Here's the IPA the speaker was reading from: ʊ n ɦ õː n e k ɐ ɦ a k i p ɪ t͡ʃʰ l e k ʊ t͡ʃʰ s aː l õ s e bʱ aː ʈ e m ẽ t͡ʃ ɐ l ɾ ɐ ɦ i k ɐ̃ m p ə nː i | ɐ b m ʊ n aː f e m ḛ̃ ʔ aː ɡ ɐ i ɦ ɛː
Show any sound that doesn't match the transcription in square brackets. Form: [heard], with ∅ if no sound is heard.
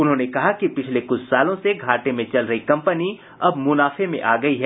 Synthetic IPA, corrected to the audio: ʊ n ɦ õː n e k ɐ ɦ a k i p ɪ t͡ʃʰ l e k ʊ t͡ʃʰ s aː l õ s e [ɡʱ] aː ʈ e m ẽ t͡ʃ ɐ l ɾ ɐ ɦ i k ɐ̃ m p ə [n] i | ɐ b m ʊ n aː f e m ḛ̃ ʔ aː ɡ ɐ i ɦ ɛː